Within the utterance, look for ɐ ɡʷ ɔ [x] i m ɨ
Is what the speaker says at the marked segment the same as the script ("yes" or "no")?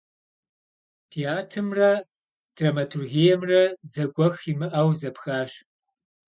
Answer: yes